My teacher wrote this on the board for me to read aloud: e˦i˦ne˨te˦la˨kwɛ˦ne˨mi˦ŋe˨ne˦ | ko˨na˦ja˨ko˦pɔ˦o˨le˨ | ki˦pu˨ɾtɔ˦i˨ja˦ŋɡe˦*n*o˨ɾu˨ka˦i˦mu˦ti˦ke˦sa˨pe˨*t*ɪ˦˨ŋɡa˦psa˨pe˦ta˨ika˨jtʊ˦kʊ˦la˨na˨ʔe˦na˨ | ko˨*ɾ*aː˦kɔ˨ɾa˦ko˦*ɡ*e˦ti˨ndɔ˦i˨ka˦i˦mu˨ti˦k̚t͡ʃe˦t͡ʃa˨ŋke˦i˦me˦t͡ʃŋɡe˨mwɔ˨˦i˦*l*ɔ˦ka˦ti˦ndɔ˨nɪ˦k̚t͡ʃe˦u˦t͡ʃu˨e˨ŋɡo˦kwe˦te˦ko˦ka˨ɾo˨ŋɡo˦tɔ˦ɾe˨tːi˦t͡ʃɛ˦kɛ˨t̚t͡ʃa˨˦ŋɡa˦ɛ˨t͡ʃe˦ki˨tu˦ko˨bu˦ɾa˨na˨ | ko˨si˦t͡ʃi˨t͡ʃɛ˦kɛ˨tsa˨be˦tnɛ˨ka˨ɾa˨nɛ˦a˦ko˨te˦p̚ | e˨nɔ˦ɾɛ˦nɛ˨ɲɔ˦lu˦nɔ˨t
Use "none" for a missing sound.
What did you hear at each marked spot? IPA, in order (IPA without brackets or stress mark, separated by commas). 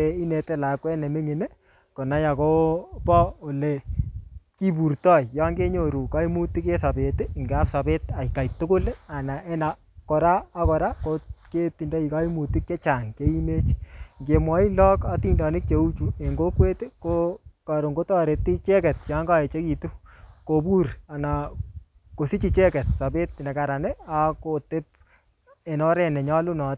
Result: ɲ, t, ɾ, k, l